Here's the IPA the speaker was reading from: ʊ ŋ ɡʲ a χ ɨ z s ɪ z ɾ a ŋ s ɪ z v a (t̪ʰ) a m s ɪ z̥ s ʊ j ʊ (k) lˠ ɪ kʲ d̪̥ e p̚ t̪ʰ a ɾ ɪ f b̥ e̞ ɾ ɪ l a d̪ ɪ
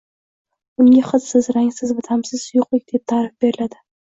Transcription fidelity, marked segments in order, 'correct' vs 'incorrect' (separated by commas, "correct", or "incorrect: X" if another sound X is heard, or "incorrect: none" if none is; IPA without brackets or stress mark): correct, incorrect: q